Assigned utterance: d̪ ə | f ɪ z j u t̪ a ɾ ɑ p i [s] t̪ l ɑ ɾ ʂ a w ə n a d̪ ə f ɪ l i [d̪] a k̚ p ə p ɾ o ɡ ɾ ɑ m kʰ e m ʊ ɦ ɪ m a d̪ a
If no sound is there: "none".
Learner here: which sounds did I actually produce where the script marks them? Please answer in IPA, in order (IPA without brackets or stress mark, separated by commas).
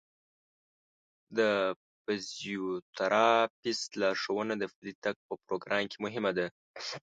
s, t̪